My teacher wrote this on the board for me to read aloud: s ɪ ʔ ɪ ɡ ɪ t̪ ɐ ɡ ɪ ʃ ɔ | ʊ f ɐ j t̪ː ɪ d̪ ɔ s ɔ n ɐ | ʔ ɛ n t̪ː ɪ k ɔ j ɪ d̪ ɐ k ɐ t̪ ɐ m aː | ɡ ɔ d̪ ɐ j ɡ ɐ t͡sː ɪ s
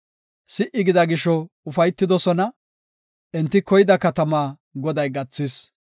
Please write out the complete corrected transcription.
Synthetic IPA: s ɪ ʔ ɪ ɡ ɪ d̪ ɐ ɡ ɪ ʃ ɔ | ʊ f ɐ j t̪ː ɪ d̪ ɔ s ɔ n ɐ | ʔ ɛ n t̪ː ɪ k ɔ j ɪ d̪ ɐ k ɐ t̪ ɐ m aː | ɡ ɔ d̪ ɐ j ɡ ɐ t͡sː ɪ s